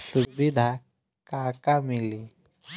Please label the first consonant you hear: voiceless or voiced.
voiceless